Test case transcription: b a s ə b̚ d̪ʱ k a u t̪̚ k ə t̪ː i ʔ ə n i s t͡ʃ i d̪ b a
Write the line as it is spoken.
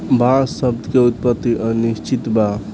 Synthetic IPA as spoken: b a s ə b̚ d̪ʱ k e u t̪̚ p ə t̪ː i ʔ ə n i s t͡ʃ i t̪ b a